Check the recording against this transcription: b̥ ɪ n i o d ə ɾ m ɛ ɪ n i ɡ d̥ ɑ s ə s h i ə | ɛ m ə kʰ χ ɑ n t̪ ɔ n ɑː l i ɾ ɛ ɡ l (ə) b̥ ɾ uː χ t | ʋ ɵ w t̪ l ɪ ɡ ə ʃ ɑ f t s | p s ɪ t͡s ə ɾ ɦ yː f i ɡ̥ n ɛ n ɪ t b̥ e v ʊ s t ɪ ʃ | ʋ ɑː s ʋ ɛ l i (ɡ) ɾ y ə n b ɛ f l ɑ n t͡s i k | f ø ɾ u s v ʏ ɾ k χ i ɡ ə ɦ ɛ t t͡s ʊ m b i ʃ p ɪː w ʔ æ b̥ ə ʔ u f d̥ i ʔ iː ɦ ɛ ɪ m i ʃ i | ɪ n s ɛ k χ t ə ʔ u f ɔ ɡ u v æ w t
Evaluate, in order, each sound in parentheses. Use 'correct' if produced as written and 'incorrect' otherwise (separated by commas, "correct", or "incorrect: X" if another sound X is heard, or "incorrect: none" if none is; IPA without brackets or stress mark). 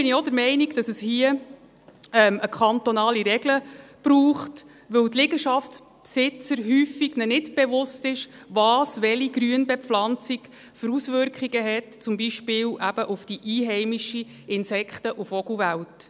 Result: correct, correct